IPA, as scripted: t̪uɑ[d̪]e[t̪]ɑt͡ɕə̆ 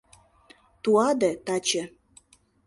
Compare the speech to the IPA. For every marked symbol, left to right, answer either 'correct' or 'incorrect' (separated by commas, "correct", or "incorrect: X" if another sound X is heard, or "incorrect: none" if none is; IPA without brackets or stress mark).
correct, correct